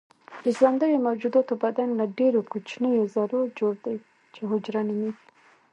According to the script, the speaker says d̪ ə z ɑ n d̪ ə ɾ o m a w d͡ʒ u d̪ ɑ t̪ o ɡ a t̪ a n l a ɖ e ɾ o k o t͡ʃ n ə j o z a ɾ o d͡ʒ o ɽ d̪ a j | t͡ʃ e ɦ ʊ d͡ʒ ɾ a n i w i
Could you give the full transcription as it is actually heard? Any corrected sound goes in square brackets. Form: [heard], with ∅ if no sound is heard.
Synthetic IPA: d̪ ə z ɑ n d̪ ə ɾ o m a w d͡ʒ u d̪ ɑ t̪ o [b] a [d̪] a n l a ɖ e ɾ o k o t͡ʃ n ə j o z a ɾ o d͡ʒ o ɽ d̪ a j | t͡ʃ e ɦ ʊ d͡ʒ ɾ a n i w i